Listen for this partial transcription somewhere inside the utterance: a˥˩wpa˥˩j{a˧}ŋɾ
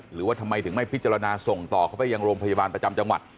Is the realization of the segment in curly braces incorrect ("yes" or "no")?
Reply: no